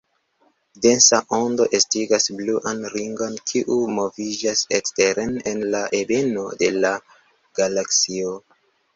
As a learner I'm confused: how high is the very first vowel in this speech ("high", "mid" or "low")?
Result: mid